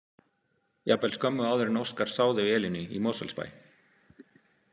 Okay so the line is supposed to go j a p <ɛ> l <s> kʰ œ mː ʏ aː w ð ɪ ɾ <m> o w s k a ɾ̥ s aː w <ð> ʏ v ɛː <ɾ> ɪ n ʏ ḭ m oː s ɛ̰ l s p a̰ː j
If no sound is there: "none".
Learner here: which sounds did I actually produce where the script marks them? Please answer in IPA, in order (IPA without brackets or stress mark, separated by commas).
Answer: ɛ, s, n, ð, l